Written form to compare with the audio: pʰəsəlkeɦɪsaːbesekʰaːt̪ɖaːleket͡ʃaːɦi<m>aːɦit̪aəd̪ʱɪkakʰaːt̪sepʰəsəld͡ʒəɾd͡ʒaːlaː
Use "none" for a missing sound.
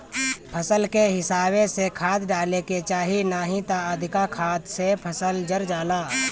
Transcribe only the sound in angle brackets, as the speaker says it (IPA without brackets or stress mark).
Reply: n